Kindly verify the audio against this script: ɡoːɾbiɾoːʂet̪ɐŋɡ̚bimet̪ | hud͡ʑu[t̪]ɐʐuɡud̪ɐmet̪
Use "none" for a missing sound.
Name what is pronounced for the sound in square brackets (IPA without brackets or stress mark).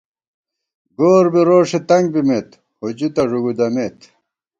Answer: t̪